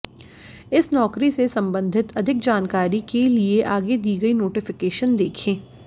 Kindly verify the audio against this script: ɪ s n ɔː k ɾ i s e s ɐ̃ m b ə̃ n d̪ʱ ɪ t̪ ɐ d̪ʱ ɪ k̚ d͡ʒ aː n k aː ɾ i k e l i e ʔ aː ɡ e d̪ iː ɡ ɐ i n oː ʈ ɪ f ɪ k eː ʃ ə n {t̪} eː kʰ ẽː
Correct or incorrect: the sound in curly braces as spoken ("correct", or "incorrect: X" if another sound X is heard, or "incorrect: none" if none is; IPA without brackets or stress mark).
incorrect: d̪